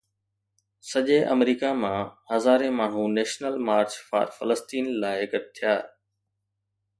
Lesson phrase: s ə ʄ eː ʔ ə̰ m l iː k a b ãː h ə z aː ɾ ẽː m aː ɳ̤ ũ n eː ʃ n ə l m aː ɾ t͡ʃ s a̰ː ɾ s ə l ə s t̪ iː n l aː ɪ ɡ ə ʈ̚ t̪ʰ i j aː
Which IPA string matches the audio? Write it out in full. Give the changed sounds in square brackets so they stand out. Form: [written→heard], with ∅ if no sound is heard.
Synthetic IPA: s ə ʄ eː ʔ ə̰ m [l→ɾ] iː k a [b→m] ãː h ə z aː ɾ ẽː m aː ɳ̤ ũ n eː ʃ n ə l m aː ɾ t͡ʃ [s→f] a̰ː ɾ [s→f] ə l ə s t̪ iː n l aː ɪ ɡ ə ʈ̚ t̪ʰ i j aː